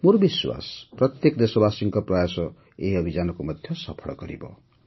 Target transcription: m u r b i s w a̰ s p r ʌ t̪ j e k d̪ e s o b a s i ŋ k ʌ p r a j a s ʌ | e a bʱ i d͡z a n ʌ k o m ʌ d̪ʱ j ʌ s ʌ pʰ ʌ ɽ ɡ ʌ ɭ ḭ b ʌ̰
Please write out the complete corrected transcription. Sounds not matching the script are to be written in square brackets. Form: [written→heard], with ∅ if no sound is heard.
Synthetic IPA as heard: m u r b i s w a̰ s p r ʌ t̪ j e k d̪ e s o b a s i ŋ k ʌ p r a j a s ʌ | e [a→ʌ] bʱ i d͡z a n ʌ k o m ʌ d̪ʱ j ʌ s ʌ pʰ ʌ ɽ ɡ ʌ [ɭ→ɾ] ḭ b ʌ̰